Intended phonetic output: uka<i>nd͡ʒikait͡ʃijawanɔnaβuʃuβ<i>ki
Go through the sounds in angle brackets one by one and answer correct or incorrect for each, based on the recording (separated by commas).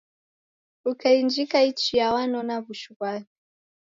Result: correct, incorrect